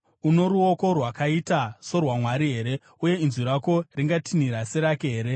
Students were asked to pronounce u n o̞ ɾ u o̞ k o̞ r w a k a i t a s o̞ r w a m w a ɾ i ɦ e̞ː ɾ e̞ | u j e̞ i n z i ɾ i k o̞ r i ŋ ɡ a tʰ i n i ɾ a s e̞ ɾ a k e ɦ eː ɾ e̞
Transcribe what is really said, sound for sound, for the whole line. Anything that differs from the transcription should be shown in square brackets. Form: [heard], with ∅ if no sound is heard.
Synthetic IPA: u n o̞ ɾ u o̞ k o̞ r w a k a i t a s o̞ r w a m w a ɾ i ɦ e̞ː ɾ e̞ | u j e̞ i n z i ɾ [a] k o̞ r i ŋ ɡ a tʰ i n i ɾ a s e̞ ɾ a k e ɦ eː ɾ e̞